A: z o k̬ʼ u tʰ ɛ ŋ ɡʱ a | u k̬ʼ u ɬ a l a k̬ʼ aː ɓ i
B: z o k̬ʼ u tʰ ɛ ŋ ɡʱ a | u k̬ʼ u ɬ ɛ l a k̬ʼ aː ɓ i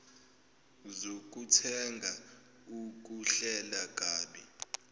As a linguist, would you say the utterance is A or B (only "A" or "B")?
B